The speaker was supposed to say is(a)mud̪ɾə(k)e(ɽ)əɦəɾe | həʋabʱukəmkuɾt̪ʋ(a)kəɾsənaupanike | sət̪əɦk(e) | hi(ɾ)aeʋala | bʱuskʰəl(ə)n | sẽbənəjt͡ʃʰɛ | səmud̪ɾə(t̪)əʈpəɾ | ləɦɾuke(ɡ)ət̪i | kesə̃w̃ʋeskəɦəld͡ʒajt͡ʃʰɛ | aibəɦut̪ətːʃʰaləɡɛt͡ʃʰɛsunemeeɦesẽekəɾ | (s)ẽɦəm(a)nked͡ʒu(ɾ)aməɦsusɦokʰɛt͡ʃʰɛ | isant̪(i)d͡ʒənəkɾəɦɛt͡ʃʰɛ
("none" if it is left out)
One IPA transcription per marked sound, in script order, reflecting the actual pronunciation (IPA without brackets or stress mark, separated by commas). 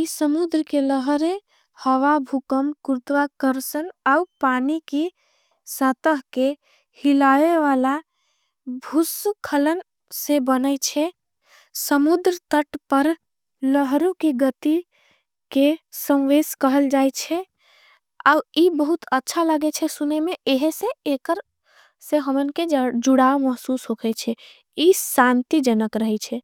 ə, k, l, a, e, l, ə, t̪, ɡ, s, ə, ɽ, i